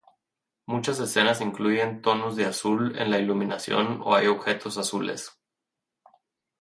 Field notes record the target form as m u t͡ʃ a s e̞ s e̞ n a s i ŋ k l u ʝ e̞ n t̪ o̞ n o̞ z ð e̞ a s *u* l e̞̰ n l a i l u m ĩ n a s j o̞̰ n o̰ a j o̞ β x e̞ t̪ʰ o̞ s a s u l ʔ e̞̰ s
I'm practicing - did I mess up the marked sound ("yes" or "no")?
no